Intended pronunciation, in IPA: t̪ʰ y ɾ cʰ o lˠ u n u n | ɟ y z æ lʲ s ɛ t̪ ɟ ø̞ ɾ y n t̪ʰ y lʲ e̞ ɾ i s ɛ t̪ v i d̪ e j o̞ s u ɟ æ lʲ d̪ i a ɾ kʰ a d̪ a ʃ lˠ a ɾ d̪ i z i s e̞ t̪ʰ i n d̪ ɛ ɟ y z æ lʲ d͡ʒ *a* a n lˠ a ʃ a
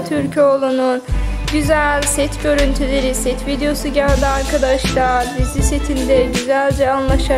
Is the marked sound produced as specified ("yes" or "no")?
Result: no